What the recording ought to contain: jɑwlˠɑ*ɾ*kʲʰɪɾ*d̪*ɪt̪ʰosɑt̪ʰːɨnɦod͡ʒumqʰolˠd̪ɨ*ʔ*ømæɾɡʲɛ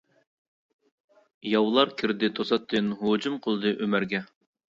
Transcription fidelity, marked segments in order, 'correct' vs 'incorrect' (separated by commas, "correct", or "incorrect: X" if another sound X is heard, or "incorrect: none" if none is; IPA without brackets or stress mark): correct, correct, correct